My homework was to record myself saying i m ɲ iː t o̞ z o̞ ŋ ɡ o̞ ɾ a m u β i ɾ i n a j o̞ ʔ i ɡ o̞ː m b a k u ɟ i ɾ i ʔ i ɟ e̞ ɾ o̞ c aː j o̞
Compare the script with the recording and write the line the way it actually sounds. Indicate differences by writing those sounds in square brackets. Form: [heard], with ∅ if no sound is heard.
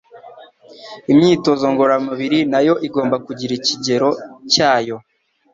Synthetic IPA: i m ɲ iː t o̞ z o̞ ŋ ɡ o̞ ɾ a m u β i ɾ i n a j o̞ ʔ i ɡ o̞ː m b a k u ɟ i ɾ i [c] i ɟ e̞ ɾ o̞ c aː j o̞